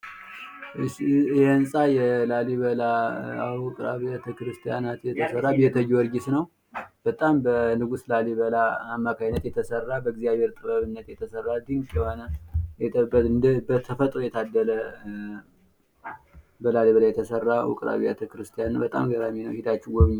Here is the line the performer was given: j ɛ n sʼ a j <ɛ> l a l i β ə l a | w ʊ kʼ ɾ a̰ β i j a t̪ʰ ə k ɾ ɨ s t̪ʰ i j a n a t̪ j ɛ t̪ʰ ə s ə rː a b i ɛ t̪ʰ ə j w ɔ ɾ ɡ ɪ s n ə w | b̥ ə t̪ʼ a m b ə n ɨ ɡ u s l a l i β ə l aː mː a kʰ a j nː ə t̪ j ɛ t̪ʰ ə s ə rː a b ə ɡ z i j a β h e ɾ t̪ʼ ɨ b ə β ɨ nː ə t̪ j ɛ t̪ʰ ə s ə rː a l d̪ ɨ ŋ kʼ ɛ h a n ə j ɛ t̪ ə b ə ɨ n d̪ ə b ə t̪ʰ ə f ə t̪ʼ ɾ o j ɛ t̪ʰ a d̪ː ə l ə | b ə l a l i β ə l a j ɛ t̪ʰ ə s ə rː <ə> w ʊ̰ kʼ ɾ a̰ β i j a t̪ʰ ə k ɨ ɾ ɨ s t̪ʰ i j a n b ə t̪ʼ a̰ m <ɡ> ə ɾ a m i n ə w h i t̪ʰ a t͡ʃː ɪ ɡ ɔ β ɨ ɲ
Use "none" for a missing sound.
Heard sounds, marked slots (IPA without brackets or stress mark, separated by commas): ɛ, a, ɡ